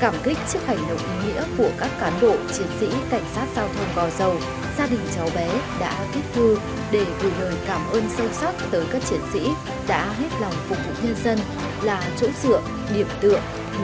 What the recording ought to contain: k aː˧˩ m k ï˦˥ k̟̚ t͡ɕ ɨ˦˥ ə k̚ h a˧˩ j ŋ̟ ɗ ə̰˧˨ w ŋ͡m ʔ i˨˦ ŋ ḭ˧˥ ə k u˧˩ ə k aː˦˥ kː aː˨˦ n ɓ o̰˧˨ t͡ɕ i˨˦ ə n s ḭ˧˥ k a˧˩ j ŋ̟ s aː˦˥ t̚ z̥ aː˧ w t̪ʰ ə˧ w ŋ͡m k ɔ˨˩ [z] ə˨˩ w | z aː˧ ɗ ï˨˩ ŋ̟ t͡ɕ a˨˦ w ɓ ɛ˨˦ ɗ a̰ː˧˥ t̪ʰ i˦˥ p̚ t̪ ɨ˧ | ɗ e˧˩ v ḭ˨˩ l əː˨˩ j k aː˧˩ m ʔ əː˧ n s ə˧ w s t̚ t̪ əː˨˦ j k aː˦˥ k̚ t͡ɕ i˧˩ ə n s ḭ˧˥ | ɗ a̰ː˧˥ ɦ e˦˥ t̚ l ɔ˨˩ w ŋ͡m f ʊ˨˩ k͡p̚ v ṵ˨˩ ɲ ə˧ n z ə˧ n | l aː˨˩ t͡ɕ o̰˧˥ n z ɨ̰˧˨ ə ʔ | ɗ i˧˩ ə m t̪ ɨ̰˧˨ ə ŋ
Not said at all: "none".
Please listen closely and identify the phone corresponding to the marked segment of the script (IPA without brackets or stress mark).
z